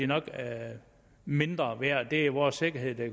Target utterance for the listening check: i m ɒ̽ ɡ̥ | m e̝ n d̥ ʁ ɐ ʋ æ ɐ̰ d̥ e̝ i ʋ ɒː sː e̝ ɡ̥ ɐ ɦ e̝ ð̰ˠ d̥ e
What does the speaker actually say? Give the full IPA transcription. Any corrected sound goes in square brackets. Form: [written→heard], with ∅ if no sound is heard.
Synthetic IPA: i [m→n] ɒ̽ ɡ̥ | m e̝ n d̥ ʁ ɐ ʋ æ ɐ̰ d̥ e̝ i ʋ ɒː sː e̝ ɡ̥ ɐ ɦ e̝ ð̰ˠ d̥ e